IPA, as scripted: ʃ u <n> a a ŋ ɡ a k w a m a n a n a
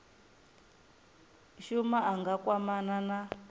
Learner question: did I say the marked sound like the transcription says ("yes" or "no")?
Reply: no